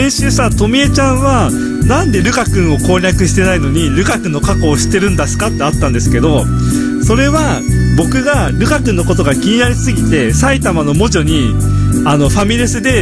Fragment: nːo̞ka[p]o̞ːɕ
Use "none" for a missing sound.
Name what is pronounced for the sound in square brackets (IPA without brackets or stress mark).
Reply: k